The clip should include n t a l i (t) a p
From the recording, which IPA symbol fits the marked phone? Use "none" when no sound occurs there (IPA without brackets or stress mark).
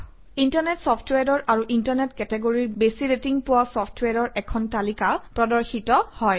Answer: k